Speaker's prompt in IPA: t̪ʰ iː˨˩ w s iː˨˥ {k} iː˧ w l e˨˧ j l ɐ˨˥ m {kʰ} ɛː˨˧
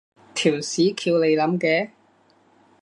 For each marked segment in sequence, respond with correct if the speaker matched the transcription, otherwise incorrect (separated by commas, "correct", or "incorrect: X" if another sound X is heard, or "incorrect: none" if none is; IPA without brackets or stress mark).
incorrect: kʰ, incorrect: k